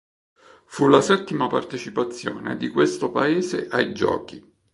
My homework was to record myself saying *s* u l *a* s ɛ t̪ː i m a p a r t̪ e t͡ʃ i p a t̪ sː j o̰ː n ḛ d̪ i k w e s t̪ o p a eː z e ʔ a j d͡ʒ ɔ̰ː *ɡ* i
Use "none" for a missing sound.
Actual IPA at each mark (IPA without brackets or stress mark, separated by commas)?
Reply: f, a, k